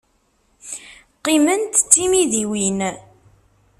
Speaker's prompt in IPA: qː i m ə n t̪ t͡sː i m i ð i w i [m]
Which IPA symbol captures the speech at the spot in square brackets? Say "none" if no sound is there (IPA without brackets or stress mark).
n